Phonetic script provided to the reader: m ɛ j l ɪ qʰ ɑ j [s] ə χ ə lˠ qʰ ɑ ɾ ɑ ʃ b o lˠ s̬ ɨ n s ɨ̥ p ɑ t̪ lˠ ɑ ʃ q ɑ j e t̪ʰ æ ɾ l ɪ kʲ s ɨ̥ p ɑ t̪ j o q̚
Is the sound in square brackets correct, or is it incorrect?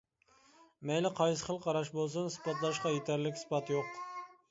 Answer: correct